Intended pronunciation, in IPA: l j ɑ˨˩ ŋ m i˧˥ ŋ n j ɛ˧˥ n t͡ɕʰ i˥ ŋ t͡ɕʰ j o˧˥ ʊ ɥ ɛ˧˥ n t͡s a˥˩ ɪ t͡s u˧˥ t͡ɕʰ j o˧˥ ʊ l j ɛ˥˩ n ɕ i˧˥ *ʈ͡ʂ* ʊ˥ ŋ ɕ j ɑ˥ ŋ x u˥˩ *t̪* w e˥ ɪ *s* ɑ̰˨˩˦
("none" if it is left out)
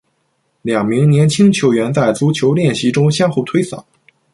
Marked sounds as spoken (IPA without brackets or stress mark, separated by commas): ʈ͡ʂ, t̪ʰ, s